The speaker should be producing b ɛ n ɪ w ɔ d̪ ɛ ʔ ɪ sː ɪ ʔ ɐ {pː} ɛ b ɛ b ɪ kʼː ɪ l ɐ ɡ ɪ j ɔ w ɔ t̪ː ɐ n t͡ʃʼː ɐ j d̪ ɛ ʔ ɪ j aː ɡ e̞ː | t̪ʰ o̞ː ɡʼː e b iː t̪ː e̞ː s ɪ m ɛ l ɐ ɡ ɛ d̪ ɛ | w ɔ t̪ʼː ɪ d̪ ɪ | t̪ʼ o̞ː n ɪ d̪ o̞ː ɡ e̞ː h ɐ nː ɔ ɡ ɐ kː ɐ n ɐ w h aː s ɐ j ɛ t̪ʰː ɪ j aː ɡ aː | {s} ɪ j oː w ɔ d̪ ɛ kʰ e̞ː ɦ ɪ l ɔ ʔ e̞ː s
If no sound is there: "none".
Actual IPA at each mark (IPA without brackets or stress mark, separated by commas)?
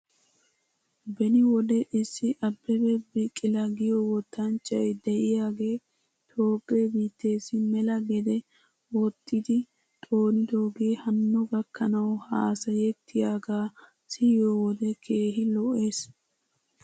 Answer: bː, s